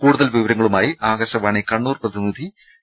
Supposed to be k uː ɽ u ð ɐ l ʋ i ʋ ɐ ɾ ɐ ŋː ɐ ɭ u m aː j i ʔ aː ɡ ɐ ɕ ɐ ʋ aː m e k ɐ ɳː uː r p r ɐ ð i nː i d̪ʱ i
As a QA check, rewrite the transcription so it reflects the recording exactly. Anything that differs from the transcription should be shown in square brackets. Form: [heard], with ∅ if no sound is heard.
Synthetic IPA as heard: k uː ɽ u ð ɐ l ʋ i ʋ ɐ ɾ ɐ ŋː ɐ ɭ u m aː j i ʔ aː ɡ ɐ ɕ ɐ ʋ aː [ɳ] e k ɐ ɳː uː r p r ɐ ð i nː i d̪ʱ i